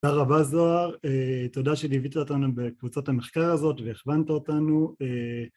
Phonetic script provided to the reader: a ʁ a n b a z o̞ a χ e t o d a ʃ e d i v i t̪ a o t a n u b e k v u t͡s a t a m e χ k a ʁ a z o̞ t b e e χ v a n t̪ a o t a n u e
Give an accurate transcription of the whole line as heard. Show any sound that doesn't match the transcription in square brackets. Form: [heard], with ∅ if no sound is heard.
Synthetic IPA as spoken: a ʁ a [∅] b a z o̞ a [ʁ] e t o d a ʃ e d i v i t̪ a o t a n u b e k v u t͡s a t a m e χ k a ʁ a z o̞ t [v] e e χ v a n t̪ a o t a n u e